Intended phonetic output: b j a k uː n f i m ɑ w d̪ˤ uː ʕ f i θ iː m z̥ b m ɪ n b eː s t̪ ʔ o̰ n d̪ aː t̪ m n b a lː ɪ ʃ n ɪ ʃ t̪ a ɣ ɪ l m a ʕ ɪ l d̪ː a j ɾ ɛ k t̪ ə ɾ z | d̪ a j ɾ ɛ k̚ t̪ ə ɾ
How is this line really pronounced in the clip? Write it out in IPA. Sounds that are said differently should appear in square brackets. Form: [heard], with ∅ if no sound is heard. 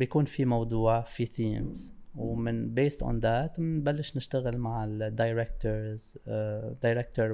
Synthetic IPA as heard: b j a k uː n f i m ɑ w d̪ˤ uː ʕ f i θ iː m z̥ [w] m ɪ n b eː s t̪ ʔ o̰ n d̪ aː t̪ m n b a lː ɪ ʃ n ɪ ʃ t̪ a ɣ ɪ l m a ʕ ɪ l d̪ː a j ɾ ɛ k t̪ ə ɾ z | d̪ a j ɾ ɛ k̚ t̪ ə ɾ